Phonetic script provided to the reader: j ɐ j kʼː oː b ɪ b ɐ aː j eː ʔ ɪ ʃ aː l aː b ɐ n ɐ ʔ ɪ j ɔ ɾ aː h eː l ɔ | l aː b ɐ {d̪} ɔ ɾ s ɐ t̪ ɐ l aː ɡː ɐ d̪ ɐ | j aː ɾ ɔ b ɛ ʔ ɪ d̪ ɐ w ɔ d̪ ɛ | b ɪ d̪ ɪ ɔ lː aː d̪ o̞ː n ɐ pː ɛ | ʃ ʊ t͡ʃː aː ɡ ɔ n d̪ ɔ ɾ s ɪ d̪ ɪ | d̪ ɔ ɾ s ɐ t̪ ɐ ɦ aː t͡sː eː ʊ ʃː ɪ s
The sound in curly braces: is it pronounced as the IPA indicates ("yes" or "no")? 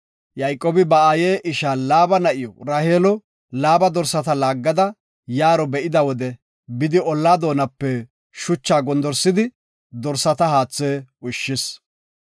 yes